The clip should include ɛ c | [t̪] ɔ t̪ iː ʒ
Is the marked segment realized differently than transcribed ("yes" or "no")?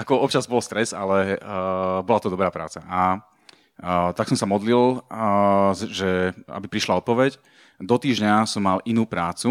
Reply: yes